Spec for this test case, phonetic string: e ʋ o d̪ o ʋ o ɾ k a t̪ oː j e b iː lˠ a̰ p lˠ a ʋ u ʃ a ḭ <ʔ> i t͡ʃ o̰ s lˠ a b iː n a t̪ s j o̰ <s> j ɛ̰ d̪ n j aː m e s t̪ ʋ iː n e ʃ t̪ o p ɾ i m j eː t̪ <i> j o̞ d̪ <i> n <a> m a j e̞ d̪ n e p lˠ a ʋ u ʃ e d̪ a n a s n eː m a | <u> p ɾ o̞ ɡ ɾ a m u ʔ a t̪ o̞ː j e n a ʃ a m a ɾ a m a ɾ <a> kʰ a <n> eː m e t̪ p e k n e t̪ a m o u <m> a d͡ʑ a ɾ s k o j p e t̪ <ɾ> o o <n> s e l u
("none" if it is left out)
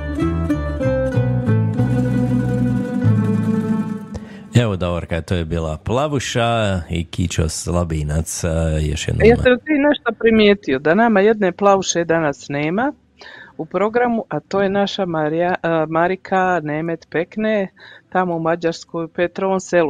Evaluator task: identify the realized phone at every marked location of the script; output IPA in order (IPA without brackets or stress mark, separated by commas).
k, ʃ, i, a, a, u, i, n, m, ɾ, n